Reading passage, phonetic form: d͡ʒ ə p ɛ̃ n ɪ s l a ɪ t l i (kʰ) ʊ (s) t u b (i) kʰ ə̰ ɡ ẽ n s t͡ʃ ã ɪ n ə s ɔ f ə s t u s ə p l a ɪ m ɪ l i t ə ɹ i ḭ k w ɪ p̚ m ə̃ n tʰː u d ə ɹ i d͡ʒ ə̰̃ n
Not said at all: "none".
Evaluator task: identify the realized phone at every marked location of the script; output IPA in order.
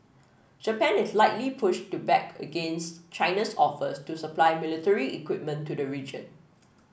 pʰ, ʃ, ɛ

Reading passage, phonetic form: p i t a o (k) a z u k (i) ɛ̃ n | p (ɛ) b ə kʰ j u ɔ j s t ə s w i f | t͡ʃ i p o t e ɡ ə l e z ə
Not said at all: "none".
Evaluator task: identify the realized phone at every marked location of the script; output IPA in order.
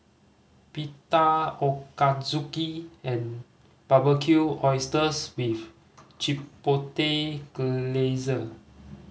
k, i, a

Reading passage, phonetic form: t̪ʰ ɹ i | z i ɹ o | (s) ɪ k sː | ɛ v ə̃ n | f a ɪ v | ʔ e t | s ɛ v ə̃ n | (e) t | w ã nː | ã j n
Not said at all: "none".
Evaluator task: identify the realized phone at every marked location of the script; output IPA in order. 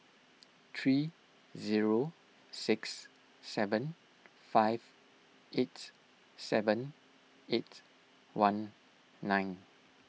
s, e

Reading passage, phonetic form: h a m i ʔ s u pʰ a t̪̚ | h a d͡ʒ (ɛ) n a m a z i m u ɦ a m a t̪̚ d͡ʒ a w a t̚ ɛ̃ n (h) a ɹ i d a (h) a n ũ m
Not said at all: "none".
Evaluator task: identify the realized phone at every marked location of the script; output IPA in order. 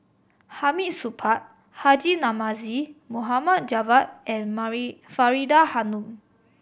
i, f, h

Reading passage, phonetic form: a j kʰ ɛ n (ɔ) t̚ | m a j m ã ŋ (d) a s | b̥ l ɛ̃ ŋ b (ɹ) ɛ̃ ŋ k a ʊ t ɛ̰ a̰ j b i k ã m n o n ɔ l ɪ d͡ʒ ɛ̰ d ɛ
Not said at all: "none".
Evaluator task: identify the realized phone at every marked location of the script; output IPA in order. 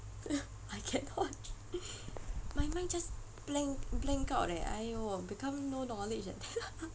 ɔ, d͡ʒ, l

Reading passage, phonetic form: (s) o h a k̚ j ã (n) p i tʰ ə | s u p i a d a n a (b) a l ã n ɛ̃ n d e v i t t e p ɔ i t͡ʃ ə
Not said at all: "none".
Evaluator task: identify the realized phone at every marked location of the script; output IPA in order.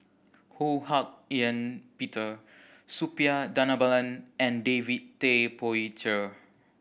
h, n, b

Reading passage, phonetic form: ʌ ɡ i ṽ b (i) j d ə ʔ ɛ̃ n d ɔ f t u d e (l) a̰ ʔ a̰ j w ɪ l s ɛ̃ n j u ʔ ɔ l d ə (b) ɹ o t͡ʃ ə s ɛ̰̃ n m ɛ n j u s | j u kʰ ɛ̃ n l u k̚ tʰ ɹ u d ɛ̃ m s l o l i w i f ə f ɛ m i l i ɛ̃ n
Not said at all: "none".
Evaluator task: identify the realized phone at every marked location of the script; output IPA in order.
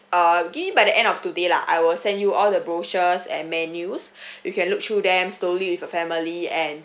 a, l, b

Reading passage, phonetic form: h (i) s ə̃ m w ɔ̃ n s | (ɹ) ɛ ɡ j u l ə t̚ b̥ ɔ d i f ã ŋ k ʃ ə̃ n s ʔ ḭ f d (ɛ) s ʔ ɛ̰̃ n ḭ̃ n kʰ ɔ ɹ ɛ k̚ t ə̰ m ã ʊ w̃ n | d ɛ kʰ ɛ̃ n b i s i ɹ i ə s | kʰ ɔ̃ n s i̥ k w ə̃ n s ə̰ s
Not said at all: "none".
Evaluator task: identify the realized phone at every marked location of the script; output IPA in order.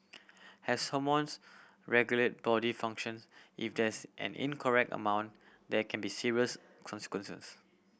ɛ, ɹ, ɛ

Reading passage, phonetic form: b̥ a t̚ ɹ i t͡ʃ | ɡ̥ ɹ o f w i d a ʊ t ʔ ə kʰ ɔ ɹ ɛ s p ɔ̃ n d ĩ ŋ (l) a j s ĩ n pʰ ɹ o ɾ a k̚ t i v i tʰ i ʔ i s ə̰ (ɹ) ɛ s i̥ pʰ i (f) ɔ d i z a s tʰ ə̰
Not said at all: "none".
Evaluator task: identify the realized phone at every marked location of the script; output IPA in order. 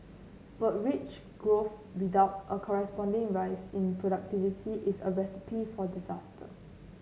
ɹ, ɹ, f

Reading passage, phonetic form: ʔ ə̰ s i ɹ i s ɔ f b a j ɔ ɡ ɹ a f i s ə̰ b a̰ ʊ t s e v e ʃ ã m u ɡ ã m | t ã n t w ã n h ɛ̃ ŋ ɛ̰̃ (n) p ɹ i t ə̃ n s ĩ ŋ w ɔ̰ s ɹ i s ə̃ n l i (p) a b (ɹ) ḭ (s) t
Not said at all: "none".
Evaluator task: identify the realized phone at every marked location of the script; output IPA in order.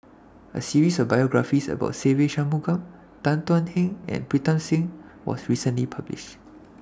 n, pʰ, l, ʃ

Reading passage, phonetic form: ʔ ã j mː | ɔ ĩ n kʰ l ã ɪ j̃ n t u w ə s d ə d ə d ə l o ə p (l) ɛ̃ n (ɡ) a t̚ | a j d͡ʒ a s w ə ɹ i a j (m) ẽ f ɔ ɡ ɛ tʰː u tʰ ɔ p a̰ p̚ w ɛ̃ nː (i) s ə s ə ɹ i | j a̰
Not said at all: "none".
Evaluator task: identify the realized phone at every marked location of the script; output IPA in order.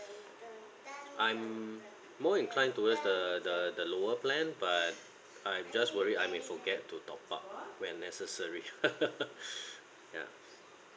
l, b, m, ɛ

